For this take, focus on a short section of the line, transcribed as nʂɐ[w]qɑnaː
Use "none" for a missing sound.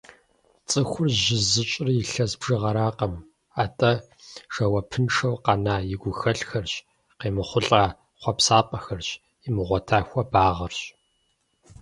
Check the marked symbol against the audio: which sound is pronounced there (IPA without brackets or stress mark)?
w